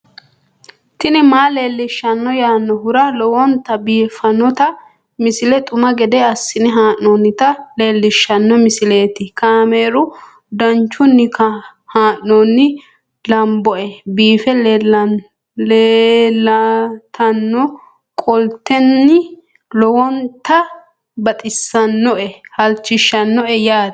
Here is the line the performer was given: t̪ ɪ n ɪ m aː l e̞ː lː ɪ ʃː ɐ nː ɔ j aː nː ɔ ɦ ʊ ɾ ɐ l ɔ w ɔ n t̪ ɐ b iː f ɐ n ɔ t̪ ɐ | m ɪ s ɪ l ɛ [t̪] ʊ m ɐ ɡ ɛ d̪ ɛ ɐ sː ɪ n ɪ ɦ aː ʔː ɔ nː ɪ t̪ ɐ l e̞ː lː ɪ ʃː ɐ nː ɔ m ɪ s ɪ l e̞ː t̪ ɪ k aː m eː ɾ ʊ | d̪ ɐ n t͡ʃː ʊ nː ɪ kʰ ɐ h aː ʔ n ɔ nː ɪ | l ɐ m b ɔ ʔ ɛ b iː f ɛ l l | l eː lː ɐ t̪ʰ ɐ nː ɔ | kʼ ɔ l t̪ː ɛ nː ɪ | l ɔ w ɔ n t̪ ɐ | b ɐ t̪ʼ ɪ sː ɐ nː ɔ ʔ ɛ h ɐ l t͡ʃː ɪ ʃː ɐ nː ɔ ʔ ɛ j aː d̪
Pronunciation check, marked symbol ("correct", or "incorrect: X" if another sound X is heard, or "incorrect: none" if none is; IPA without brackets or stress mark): incorrect: t̪ʼ